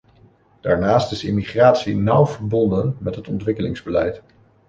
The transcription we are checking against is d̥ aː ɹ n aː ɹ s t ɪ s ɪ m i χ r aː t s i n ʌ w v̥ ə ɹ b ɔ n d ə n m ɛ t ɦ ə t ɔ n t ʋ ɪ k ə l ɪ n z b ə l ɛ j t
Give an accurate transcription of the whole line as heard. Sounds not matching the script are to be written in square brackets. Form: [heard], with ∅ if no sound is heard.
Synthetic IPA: d̥ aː ɹ n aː [∅] s t ɪ s ɪ m i χ r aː t s i n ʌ w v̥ ə ɹ b ɔ n d ə n m ɛ t ɦ ə t ɔ n t ʋ ɪ k ə l ɪ [ŋ] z b ə l ɛ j t